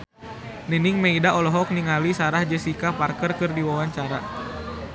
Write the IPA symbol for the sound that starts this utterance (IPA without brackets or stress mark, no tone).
n